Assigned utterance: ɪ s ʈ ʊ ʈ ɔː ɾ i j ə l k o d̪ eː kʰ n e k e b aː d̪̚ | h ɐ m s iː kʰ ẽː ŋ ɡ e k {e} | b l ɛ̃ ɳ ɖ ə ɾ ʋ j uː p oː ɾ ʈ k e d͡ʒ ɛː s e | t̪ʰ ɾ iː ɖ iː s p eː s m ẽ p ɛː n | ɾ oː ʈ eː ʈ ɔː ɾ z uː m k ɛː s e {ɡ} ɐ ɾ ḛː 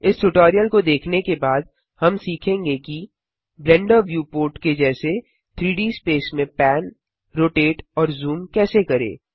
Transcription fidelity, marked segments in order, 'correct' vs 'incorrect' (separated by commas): incorrect, incorrect